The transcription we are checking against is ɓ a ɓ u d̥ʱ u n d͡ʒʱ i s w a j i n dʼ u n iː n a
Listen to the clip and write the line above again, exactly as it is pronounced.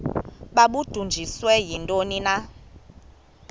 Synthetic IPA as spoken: ɓ a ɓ u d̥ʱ u n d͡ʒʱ i s w ɛ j i n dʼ o n i n a